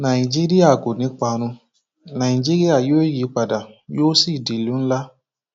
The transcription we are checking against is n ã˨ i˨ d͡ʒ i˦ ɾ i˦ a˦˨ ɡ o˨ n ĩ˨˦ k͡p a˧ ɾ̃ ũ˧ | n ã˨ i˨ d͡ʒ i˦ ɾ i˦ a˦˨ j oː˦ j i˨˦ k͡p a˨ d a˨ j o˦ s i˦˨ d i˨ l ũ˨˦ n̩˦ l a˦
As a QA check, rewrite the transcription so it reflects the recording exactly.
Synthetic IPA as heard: n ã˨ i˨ d͡ʒ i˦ ɾ i˦ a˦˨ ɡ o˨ n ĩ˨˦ k͡p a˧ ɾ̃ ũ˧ | n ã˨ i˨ d͡ʒ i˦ ɾ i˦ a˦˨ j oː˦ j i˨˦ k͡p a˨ d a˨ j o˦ s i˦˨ d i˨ l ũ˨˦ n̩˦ l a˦